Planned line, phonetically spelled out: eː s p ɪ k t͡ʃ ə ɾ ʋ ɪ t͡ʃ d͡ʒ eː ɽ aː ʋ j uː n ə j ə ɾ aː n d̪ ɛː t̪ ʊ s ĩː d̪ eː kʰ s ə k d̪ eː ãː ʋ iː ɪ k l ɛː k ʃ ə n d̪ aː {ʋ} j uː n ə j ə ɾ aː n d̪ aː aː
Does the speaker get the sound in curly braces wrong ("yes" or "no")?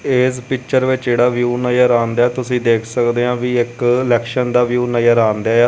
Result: no